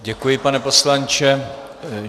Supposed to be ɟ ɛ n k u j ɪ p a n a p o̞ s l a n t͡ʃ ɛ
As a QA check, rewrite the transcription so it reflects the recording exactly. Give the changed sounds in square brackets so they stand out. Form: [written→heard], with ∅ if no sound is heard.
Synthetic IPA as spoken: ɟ ɛ [n→∅] k u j ɪ p a n [a→ɛ] p o̞ s l a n t͡ʃ ɛ